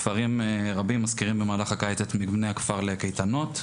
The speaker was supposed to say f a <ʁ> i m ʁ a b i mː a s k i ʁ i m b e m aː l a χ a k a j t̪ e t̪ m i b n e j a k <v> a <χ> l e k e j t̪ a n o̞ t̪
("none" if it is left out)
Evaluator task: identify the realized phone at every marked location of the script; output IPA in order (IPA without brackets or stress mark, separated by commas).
ʁ, f, ʁ